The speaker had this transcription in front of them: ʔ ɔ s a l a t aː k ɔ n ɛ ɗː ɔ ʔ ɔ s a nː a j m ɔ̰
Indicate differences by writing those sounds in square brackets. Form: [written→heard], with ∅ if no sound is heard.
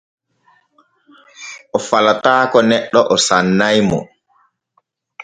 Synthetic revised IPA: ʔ ɔ [s→f] a l a t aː k ɔ n ɛ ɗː ɔ ʔ ɔ s a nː a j m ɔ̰